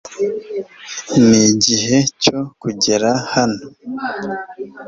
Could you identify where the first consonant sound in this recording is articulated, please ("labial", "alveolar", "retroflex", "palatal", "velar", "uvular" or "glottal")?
alveolar